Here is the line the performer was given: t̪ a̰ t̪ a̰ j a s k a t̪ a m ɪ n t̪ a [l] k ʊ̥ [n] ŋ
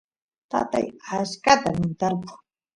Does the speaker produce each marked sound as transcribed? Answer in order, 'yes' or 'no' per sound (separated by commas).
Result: no, no